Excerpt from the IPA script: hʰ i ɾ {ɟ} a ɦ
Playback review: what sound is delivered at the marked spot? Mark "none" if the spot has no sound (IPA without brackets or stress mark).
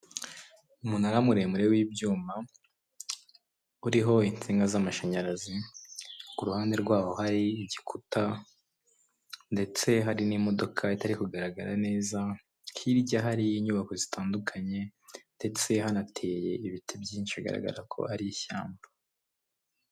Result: ɟ